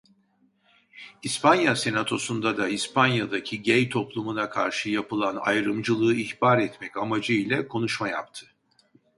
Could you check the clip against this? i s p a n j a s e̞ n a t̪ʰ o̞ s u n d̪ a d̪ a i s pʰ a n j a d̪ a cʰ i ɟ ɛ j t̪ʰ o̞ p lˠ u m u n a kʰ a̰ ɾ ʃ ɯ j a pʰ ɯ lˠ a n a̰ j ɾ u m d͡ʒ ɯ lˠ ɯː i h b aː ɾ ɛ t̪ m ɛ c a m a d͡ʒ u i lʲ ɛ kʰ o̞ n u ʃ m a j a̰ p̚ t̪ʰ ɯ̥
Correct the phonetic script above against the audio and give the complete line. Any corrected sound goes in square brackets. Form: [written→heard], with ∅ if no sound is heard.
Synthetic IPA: i s p a n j a s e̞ n a t̪ʰ o̞ s u n d̪ a d̪ a i s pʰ a n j a d̪ a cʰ i ɟ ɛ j t̪ʰ o̞ p lˠ u m u n a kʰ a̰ ɾ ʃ ɯ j a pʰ ɯ lˠ a n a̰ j ɾ [u→ɯ] m d͡ʒ ɯ lˠ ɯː i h b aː ɾ ɛ t̪ m ɛ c a m a d͡ʒ [u→ɯ] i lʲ ɛ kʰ o̞ n u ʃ m a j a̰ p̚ t̪ʰ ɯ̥